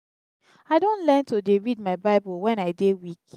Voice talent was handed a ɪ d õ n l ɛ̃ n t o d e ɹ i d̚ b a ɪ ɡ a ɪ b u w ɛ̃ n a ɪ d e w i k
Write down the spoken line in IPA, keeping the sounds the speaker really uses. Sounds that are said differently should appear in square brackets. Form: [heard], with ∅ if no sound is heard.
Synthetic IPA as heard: a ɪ d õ n l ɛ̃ n t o d e ɹ i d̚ [m] a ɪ [b] a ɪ b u w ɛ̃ n a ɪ d e w i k